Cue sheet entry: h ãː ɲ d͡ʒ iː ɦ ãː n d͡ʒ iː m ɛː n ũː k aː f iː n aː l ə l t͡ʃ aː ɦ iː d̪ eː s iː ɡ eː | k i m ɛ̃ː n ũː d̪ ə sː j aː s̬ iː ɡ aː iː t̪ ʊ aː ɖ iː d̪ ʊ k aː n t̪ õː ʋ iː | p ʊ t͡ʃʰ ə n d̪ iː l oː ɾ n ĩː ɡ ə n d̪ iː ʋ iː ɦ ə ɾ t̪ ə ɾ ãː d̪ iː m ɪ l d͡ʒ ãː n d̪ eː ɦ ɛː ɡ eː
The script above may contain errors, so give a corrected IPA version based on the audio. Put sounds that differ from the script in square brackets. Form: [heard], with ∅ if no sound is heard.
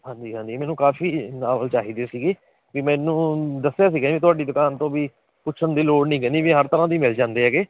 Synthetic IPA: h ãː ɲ d͡ʒ iː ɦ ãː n d͡ʒ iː m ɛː n ũː k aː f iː n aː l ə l t͡ʃ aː ɦ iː d̪ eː s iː ɡ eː | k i m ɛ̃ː n ũː d̪ ə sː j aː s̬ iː ɡ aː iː t̪ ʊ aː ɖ iː d̪ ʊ k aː n t̪ õː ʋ iː | p ʊ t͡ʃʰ ə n d̪ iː l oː [ɽ] n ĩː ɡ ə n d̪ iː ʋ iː ɦ ə ɾ t̪ ə ɾ ãː d̪ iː m ɪ l d͡ʒ ãː n d̪ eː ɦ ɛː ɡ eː